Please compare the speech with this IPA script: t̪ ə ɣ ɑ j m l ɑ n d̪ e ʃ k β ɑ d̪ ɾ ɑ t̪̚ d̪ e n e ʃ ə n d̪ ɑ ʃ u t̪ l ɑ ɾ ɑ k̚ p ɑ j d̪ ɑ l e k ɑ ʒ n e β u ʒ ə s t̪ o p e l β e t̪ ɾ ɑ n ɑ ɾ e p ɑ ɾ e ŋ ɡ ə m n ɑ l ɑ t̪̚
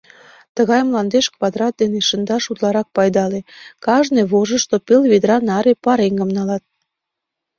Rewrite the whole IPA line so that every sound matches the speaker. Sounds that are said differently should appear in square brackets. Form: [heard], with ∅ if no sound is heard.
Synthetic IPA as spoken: t̪ ə ɣ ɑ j m l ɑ n d̪ e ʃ k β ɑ d̪ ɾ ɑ t̪̚ d̪ e n e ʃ ə n d̪ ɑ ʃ u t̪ l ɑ ɾ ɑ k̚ p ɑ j d̪ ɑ l e k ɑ ʒ n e β [o] ʒ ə [ʃ] t̪ o p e l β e [d̪] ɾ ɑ n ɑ ɾ e p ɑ ɾ e ŋ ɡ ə m n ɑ l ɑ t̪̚